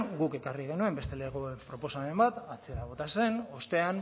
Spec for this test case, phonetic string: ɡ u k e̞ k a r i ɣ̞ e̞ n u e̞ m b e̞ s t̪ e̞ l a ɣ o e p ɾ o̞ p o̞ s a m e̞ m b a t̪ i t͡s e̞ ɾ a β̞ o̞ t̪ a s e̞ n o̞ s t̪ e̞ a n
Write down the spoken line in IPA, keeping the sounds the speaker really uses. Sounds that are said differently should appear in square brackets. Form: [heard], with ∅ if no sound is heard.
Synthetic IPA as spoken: ɡ u k e̞ k a r i ɣ̞ e̞ n u e̞ m b e̞ s t̪ e̞ l [e] ɣ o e p ɾ o̞ p o̞ s a m e̞ m b a t̪ [a] t͡s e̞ ɾ a β̞ o̞ t̪ a s e̞ n o̞ s t̪ e̞ a n